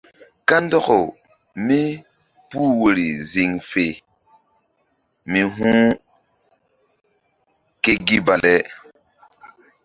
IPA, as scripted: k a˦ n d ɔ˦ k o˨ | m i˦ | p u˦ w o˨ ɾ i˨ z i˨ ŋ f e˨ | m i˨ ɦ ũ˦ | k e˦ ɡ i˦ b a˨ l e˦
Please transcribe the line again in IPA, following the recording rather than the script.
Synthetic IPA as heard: k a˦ n d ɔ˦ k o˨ | m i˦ | p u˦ w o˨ ɾ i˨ z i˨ ŋ f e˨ | m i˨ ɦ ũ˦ | k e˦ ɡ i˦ b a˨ l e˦

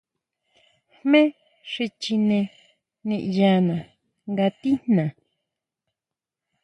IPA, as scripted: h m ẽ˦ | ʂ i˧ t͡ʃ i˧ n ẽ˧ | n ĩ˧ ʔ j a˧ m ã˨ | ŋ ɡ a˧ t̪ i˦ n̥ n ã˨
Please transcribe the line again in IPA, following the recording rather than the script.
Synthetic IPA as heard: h m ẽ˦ | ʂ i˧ t͡ʃ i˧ n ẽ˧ | n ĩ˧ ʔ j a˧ n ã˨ | ŋ ɡ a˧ t̪ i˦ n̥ n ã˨

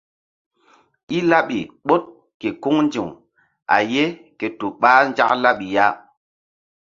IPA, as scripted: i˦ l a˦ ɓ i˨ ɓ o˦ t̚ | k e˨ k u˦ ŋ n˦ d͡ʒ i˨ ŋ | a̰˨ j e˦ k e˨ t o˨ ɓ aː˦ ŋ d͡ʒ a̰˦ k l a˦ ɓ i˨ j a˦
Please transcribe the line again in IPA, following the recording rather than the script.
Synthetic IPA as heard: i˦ l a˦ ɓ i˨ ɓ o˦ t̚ | k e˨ k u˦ ŋ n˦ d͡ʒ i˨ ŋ | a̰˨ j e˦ k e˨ t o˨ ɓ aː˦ n d͡ʒ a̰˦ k l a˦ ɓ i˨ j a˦

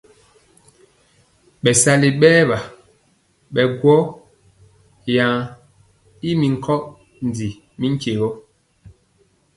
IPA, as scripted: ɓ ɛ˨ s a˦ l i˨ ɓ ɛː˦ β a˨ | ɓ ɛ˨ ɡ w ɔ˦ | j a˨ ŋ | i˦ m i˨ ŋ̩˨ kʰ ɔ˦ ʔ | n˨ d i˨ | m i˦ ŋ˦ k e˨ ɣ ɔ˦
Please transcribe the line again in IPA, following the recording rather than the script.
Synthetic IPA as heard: ɓ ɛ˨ s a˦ l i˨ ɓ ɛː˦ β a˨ | ɓ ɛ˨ ɡ w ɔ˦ | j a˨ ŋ | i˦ m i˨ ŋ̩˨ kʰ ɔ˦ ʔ | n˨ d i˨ | m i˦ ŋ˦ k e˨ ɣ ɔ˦

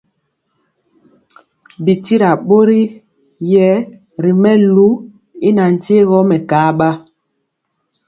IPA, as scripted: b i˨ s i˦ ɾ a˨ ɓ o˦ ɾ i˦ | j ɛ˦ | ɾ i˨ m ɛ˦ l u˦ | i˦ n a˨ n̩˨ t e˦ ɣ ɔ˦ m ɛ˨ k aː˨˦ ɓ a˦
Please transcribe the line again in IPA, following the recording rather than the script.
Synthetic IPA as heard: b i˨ t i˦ ɾ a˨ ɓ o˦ ɾ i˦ | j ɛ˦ | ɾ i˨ m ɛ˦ l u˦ | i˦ n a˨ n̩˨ t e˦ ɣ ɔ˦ m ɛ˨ k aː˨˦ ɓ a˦

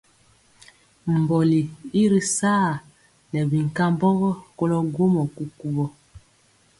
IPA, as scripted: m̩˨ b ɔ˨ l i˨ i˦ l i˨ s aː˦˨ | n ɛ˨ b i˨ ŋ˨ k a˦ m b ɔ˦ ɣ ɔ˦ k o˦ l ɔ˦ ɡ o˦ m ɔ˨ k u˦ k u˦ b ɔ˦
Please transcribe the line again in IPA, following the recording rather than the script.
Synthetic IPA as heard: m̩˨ b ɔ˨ l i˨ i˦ ɾ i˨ s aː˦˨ | n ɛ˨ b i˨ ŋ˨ k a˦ m b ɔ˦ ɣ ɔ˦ k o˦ l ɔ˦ ɡ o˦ m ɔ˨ k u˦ k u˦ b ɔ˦

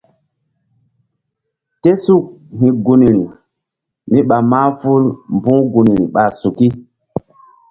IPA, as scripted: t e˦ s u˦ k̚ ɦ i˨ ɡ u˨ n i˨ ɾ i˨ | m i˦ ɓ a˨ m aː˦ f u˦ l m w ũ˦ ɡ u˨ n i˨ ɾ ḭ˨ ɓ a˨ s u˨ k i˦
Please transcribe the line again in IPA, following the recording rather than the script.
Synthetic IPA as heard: t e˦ s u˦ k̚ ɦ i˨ ɡ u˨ n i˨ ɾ i˨ | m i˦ ɓ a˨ m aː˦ f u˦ l m b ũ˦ ɡ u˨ n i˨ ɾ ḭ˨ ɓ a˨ s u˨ k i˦

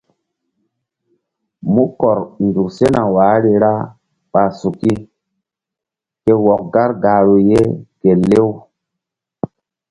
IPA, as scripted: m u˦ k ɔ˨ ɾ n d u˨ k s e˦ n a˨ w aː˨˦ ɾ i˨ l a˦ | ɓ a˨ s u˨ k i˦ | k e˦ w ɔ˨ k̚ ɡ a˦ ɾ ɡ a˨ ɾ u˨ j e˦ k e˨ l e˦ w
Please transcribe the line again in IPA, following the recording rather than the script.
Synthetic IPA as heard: m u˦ k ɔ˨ ɾ n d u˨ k s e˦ n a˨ w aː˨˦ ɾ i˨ ɾ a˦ | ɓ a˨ s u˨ k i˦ | k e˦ w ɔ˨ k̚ ɡ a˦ ɾ ɡ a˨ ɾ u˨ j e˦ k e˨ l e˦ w

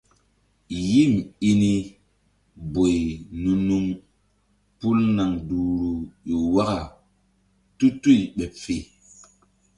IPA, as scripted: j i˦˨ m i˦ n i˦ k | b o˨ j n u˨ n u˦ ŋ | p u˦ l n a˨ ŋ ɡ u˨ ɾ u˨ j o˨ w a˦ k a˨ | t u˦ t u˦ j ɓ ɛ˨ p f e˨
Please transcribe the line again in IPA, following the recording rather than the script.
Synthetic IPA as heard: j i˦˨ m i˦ n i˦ | b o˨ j n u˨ n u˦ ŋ | p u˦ l n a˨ ŋ d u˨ ɾ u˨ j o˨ w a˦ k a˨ | t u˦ t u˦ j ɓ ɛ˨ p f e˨

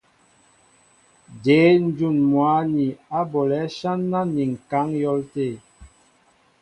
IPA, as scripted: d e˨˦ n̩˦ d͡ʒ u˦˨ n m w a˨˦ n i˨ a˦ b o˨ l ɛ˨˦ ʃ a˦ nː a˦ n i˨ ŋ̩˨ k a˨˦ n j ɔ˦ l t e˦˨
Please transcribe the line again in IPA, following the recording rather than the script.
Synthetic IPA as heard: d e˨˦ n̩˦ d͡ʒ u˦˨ n m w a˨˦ n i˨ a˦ b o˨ l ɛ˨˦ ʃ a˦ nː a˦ n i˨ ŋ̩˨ k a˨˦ ŋ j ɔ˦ l t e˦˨

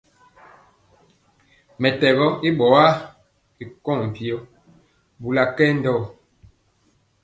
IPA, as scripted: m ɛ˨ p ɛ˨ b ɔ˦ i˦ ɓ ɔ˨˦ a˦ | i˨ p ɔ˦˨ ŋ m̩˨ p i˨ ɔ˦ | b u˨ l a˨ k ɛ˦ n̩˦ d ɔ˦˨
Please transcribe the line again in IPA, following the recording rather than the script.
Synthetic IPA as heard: m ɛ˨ t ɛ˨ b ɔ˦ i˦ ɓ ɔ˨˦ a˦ | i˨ k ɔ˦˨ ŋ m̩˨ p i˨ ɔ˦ | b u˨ l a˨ k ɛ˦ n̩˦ d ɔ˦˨

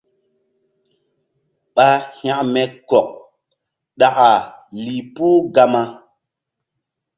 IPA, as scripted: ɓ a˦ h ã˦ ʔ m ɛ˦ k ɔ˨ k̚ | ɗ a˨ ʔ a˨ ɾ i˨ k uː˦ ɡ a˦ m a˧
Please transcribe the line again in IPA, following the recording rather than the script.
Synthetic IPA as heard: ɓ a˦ h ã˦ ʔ m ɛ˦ k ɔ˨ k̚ | ɗ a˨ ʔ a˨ l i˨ p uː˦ ɡ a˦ m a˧

